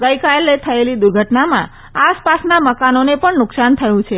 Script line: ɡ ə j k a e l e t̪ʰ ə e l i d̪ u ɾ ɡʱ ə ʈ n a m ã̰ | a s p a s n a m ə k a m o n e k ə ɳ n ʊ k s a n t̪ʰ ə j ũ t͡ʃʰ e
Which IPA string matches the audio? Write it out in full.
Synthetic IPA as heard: ɡ ə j k a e l e t̪ʰ ə e l i d̪ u ɾ ɡʱ ə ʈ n a m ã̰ | a s p a s n a m ə k a n o n e p ə ɳ n ʊ k s a n t̪ʰ ə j ũ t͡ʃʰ e